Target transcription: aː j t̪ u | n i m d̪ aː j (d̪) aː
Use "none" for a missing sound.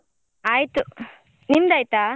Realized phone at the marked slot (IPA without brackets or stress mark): t̪